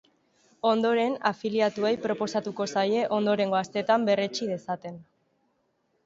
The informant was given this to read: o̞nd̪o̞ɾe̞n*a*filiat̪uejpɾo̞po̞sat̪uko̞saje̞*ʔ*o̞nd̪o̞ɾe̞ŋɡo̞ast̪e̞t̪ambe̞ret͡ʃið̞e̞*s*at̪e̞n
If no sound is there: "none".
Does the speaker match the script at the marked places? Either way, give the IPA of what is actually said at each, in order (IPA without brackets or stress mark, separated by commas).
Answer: a, ʔ, s